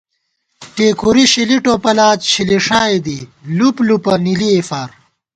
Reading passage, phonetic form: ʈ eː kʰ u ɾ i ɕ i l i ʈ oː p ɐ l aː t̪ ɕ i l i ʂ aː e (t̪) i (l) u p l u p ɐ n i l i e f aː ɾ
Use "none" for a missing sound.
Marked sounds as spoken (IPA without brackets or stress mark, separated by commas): d̪, l